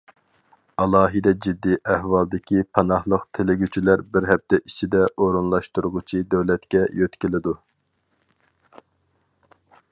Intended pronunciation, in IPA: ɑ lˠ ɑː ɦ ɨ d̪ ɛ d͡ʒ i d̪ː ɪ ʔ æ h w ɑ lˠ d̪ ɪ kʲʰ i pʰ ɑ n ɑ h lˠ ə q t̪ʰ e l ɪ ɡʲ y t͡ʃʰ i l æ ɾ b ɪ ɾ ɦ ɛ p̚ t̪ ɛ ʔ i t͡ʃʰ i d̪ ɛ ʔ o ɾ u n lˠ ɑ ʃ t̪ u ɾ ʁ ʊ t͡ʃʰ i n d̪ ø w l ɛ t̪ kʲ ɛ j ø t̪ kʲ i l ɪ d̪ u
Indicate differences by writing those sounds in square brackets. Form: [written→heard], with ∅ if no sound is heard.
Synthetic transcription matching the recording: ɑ lˠ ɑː ɦ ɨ d̪ ɛ d͡ʒ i d̪ː [ɪ→i] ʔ æ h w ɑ lˠ d̪ ɪ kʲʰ i pʰ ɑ n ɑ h lˠ ə q t̪ʰ e l ɪ ɡʲ y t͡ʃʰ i l æ ɾ b ɪ ɾ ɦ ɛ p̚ t̪ ɛ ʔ i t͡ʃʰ i d̪ ɛ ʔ o ɾ u n lˠ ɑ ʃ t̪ u ɾ ʁ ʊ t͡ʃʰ i [n→∅] d̪ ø w l ɛ t̪ kʲ ɛ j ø t̪ kʲ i l ɪ d̪ u